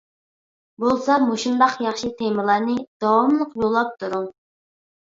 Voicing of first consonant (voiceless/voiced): voiced